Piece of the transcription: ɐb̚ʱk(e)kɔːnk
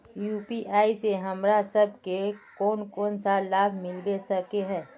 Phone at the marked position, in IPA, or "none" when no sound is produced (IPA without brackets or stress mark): e